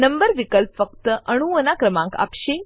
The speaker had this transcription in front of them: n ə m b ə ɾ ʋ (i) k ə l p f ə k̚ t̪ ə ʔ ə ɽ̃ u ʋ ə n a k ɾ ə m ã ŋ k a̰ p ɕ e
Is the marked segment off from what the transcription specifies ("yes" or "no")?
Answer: no